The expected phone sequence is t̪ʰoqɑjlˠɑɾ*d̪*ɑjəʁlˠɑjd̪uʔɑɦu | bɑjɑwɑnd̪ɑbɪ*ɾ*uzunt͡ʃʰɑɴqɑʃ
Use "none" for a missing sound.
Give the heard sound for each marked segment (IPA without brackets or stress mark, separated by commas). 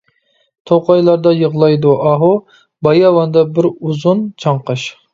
d̪, ɾ